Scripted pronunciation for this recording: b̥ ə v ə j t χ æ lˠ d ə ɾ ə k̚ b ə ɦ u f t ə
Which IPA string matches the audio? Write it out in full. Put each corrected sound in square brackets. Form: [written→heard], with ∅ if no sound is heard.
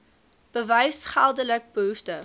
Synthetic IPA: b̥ ə v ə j [t→s] χ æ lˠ d ə [ɾ→l] ə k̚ b ə ɦ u f t ə

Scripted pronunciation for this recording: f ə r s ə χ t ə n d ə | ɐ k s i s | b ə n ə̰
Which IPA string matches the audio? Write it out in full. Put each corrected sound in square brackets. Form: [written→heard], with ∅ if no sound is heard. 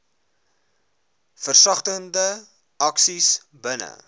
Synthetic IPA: f ə r s [ə→ɐ] χ t ə n d ə | ɐ k s i s | b ə n ə̰

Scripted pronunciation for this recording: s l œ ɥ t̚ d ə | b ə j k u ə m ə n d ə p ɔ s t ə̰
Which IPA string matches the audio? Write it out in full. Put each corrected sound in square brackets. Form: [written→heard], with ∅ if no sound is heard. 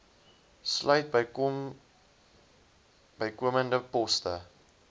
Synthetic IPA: s l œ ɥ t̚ [d→b] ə | b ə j k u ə m ə n d ə p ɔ s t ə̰

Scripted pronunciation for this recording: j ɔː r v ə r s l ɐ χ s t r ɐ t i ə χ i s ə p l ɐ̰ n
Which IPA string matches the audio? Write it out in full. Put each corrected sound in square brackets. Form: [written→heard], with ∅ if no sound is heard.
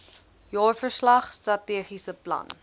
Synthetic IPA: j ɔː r [v→f] ə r s l ɐ χ s t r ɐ t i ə χ i s ə p l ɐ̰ n

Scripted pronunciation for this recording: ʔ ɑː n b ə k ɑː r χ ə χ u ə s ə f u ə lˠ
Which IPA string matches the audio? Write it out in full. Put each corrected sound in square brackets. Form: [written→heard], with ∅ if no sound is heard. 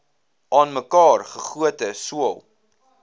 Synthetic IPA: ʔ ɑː n [b→m] ə k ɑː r χ ə χ u ə [s→t] ə [f→s] u ə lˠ

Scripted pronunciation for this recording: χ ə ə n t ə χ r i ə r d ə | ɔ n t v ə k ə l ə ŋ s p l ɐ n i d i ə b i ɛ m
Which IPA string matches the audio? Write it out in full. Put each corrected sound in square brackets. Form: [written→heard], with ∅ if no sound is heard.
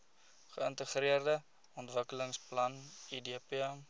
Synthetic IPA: χ ə ə n t ə χ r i ə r d ə | ɔ n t v ə k ə l ə ŋ s p l ɐ n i d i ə [b→p] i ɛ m

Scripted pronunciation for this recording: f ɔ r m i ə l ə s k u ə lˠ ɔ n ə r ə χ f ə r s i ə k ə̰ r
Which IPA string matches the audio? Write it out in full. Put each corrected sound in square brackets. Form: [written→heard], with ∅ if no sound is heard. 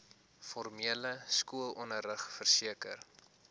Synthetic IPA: f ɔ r m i ə l ə s k u ə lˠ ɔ n ə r ə χ f ə r s i ə k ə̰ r

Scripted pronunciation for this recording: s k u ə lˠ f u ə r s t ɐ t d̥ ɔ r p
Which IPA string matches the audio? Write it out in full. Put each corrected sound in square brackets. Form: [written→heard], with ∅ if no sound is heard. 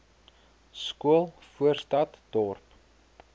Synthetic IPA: s k u ə lˠ f u ə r s t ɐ t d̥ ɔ r p

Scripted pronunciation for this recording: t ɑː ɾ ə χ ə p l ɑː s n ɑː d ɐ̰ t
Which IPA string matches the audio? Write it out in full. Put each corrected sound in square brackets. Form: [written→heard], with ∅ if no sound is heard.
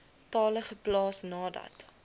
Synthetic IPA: t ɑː [ɾ→l] ə χ ə p l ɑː s n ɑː d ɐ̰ t

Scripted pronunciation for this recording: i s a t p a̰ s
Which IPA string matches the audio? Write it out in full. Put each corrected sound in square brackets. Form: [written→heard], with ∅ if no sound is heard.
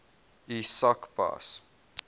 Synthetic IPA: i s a [t→k] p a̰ s

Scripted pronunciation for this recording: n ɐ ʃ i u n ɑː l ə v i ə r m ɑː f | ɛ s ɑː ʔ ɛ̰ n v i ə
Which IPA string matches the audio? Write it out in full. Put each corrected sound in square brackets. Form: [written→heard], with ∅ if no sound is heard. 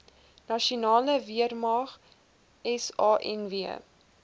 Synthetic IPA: n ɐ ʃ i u n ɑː l ə v i ə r m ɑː [f→χ] | ɛ s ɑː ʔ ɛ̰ n v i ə

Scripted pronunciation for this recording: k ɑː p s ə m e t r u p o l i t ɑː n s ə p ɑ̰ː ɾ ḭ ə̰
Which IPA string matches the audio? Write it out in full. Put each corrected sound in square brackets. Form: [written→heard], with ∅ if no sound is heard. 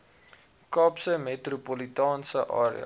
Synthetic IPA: k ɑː p s ə m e t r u p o l i t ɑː n s ə [p→ʔ] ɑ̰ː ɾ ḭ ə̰

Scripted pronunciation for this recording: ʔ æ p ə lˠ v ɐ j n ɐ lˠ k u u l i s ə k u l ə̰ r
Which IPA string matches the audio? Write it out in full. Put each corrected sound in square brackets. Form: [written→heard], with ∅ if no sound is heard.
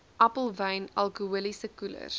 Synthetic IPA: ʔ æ p ə lˠ v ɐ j n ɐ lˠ k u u l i s ə k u l ə̰ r

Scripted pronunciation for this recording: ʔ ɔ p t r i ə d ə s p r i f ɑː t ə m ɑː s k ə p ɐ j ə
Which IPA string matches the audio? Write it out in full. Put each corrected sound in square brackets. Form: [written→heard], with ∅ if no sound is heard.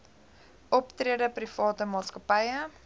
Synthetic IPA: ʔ ɔ p t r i ə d ə [s→∅] p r i f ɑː t ə m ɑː s k ə p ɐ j ə

